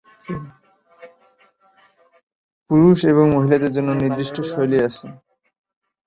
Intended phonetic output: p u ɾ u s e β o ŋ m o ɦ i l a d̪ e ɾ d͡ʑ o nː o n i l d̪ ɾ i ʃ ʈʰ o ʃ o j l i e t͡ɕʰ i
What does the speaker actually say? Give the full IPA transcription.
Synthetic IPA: p u ɾ u ʃ e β o ŋ m o ɦ i l a d̪ e ɾ d͡ʑ o nː o n i ɾ d̪ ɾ i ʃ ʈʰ o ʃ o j l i a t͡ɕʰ e